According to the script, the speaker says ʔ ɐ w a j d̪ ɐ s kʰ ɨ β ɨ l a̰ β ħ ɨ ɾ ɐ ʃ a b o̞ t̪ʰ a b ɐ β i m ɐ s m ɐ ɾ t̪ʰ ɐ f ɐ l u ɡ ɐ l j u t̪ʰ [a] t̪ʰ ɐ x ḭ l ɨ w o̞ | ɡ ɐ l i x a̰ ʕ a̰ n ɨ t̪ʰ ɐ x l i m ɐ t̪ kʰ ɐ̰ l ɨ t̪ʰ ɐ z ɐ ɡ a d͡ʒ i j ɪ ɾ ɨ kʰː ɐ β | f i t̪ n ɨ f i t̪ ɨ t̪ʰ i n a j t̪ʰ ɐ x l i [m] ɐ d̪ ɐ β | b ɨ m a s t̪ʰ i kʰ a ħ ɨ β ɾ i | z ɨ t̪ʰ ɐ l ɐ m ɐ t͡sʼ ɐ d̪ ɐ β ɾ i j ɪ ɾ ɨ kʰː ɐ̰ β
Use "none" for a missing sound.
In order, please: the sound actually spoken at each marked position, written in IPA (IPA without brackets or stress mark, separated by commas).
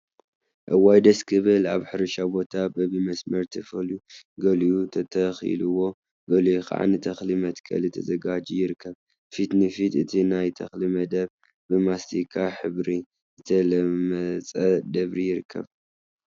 ɐ, m